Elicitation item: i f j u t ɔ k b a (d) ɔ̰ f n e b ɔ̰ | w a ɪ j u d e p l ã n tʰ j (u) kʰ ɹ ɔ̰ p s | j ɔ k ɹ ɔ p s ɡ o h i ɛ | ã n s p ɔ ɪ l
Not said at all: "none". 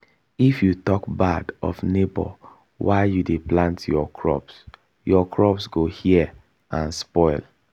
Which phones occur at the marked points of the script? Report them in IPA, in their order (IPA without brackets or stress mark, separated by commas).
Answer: d, ɔ